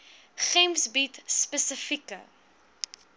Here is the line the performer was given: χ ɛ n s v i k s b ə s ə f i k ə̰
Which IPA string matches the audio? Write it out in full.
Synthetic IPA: χ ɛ m s b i t s p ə s ə f i k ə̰